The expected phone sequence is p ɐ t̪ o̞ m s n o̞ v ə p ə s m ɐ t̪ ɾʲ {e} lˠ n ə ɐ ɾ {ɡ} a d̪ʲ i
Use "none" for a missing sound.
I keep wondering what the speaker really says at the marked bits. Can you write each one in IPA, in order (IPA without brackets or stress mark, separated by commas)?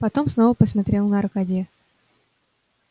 e, k